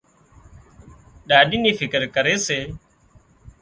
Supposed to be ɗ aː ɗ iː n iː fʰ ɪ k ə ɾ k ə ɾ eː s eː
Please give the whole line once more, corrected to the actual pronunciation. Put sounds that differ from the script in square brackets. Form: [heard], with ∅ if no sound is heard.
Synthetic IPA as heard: ɗ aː ɗ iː n iː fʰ ɪ k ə ɾ k ə ɾ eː s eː

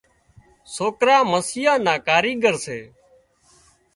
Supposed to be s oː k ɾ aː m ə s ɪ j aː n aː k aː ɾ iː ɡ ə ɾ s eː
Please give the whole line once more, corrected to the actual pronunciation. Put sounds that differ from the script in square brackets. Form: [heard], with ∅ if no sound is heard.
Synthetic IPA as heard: s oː k ɾ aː m ə s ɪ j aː n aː k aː ɾ iː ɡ ə ɾ s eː

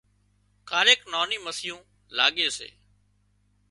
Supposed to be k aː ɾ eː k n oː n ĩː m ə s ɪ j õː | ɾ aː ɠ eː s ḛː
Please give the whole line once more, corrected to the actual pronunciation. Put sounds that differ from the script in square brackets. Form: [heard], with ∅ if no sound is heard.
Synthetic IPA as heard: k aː ɾ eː k n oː n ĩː m ə s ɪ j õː | [l] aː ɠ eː s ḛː

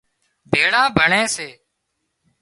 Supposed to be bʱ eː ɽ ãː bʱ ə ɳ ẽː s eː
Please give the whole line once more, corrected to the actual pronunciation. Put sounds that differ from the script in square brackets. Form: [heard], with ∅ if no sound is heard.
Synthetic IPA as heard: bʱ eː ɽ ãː bʱ ə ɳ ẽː s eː

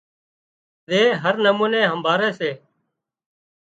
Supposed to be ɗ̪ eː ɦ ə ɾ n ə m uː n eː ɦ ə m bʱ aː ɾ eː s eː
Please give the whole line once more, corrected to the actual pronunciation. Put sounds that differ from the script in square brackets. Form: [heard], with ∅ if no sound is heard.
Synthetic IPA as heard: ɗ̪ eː ɦ ə ɾ n ə m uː n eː ɦ ə m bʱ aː ɾ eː s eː

